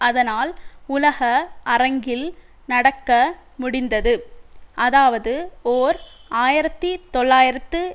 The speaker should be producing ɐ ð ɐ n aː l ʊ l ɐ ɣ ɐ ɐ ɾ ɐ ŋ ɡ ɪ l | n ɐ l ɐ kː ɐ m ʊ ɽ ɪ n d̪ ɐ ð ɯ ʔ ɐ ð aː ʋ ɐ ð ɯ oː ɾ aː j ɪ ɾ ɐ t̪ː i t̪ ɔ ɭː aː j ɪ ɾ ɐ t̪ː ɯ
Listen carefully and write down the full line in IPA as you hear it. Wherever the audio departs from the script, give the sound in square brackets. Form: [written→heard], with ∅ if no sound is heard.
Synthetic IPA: ɐ ð ɐ n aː l ʊ l ɐ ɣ ɐ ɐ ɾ ɐ ŋ ɡ ɪ l | n ɐ [l→ɽ] ɐ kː ɐ m ʊ ɽ ɪ n d̪ ɐ ð ɯ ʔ ɐ ð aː ʋ ɐ ð ɯ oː ɾ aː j ɪ ɾ ɐ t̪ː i t̪ ɔ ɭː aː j ɪ ɾ ɐ t̪ː ɯ